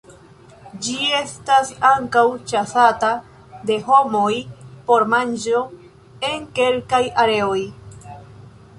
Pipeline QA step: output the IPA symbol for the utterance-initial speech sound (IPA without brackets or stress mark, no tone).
d͡ʒ